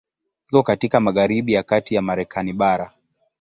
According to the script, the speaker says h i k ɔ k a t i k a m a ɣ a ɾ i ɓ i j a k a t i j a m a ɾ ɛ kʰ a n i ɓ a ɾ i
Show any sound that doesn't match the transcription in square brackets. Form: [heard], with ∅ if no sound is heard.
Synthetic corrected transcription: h i k ɔ k a t i k a m a ɣ a ɾ i ɓ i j a k a t i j a m a ɾ ɛ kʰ a n i ɓ a ɾ [a]

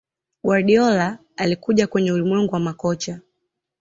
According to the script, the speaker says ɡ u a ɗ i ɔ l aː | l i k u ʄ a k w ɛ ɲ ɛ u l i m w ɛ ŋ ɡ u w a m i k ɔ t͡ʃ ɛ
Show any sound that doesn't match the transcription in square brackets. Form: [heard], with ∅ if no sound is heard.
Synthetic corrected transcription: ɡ [w] a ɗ i ɔ l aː | l i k u ʄ a k w ɛ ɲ ɛ u l i m w ɛ ŋ ɡ u w a m [a] k ɔ t͡ʃ [a]

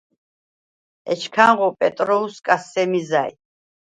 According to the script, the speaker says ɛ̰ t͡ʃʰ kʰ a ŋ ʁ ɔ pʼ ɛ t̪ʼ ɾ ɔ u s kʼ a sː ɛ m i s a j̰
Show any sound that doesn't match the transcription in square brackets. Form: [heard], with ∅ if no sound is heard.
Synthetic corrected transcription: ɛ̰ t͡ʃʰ kʰ a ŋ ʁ ɔ pʼ ɛ t̪ʼ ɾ ɔ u s kʼ a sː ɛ m i [z] a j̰

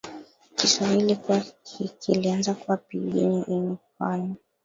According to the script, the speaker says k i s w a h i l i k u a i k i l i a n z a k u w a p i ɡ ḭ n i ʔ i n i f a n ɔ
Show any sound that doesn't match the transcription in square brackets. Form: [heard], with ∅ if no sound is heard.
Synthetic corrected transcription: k i s w a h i l i k u a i k i l i a n z a k u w a p i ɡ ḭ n i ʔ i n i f a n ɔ

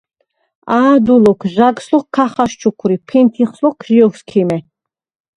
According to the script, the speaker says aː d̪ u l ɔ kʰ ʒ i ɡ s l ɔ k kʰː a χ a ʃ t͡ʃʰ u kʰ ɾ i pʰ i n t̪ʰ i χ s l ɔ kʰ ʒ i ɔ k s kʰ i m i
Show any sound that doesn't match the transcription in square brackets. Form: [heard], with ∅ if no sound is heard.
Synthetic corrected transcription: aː d̪ u l ɔ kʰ ʒ [a] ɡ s l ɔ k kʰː a χ a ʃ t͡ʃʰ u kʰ ɾ i pʰ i n t̪ʰ i χ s l ɔ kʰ ʒ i ɔ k s kʰ i m [ɛ]

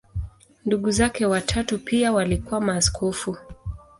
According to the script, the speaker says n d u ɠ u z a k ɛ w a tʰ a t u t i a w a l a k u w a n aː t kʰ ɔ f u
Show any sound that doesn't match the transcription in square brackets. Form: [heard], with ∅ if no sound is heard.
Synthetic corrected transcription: n d u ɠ u z a k ɛ w a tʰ a t u [p] i a w a l [i] k u w a [m] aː [s] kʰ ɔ f u

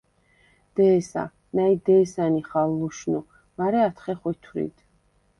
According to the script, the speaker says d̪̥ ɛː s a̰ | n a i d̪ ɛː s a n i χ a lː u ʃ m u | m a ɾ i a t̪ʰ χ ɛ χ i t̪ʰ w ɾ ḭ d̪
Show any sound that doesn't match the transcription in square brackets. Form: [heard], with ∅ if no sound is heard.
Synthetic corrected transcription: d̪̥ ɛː s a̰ | n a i d̪ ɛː s a n i χ a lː u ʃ [n] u | m a ɾ [ɛ] a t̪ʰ χ ɛ χ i t̪ʰ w ɾ ḭ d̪

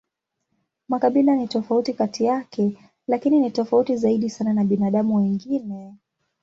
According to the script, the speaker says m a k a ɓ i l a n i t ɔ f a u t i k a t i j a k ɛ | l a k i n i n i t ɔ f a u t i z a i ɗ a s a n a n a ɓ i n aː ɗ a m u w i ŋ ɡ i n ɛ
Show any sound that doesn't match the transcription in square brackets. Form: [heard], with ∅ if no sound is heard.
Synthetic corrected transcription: m a k a ɓ i l a n i t ɔ f a u t i k a t i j a k ɛ | l a k i n i n i t ɔ f a u t i z a i ɗ [i] s a n a n a ɓ i n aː ɗ a m u w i ŋ ɡ i n ɛ

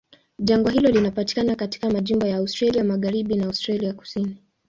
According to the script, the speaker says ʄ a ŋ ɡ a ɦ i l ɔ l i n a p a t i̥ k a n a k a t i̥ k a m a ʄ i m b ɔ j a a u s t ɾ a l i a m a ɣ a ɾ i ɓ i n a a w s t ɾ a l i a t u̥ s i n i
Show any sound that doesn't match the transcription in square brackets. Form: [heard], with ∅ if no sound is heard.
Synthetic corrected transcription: ʄ a ŋ ɡ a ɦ i l ɔ l i n a p a t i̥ k a n a k a t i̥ k a m a ʄ i m b ɔ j a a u s t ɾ a l i a m a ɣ a ɾ i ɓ i n a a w s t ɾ a l i a [k] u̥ s i n i

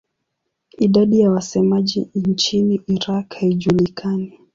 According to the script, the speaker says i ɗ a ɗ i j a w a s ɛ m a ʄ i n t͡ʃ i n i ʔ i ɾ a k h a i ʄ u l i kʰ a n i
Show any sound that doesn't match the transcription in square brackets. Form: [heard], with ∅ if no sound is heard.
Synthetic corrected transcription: i ɗ a ɗ i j a w a s ɛ m a ʄ i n t͡ʃ i n i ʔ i ɾ a k h a i ʄ u l i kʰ a n i

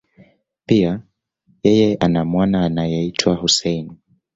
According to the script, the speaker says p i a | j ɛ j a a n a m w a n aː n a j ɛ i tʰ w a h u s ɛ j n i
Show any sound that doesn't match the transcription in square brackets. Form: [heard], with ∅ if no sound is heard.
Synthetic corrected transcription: p i a | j ɛ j [ɛ] a n a m w a n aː n a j ɛ i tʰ w a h u s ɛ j n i

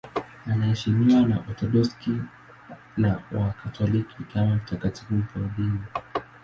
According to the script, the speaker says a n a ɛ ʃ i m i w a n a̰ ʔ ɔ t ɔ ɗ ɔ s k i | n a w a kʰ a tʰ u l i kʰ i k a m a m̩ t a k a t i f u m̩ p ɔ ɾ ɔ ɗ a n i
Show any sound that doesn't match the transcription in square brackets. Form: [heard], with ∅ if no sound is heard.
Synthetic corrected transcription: a n a ɛ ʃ i m i w a n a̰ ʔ ɔ t ɔ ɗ ɔ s k i | n a w a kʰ a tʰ [ɔ] l i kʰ i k a m a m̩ t a k a t i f u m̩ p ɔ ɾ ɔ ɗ [i] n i

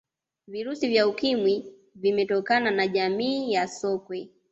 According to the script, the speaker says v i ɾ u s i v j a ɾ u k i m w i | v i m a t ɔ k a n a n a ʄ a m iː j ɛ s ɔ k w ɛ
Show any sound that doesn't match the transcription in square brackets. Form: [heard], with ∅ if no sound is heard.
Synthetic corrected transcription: v i ɾ u s i v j a [∅] u k i m w i | v i m [ɛ] t ɔ k a n a n a ʄ a m iː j [a] s ɔ k w ɛ

